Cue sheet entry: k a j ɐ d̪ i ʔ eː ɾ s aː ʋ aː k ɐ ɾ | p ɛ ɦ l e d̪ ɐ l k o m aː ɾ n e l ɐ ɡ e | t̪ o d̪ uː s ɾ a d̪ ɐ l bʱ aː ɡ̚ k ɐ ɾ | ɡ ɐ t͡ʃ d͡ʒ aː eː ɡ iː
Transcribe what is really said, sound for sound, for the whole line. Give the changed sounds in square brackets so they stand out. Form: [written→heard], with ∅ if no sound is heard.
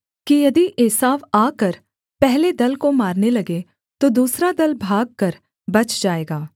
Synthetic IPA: k [a→i] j ɐ d̪ i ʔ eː [ɾ→∅] s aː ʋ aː k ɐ ɾ | p ɛ ɦ l e d̪ ɐ l k o m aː ɾ n e l ɐ ɡ e | t̪ o d̪ uː s ɾ a d̪ ɐ l bʱ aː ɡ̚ k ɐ ɾ | [ɡ→b] ɐ t͡ʃ d͡ʒ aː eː ɡ [iː→aː]